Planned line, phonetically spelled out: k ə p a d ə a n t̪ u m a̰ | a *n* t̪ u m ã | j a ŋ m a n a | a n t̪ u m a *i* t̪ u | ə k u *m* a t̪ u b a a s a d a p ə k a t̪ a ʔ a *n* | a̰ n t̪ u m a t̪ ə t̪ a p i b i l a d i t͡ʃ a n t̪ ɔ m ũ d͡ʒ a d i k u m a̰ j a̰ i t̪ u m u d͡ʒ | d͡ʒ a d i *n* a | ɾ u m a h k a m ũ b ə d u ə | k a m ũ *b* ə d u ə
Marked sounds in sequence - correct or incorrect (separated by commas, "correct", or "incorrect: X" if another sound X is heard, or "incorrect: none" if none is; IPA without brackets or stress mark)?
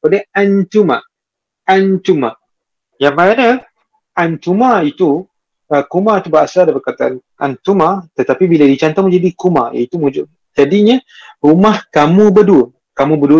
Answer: correct, correct, correct, correct, incorrect: ɲ, correct